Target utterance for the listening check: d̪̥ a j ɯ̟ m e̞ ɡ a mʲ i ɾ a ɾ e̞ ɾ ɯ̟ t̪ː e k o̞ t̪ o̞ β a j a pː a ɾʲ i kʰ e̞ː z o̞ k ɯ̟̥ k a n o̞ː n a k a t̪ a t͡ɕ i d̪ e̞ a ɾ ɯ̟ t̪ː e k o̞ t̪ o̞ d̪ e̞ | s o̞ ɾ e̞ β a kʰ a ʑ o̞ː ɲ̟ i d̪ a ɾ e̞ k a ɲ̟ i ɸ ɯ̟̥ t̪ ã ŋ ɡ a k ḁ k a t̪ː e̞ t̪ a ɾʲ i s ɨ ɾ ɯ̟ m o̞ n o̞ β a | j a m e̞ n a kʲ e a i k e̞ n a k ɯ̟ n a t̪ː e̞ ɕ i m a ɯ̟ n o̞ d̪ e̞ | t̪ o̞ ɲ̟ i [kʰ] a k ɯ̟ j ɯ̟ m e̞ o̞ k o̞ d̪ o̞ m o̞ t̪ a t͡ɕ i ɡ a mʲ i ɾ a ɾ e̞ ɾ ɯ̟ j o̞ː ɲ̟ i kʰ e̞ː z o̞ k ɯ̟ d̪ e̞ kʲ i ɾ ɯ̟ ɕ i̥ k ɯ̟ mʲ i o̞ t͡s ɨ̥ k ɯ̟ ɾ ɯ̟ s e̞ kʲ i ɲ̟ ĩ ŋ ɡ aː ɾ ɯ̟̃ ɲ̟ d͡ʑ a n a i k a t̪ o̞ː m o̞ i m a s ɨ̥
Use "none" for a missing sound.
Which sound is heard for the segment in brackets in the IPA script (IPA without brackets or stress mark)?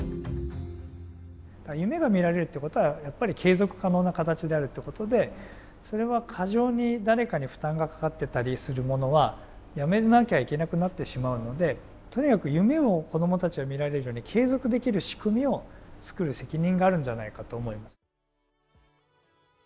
k